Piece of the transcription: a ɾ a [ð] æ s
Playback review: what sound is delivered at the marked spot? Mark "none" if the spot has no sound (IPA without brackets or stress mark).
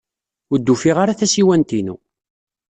θ